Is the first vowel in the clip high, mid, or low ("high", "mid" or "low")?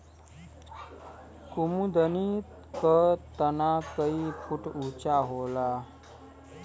high